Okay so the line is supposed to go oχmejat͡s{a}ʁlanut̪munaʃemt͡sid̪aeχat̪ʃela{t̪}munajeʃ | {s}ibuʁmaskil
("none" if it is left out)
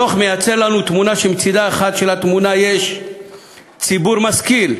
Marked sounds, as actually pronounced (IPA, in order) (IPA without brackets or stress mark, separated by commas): e, t̪, t͡s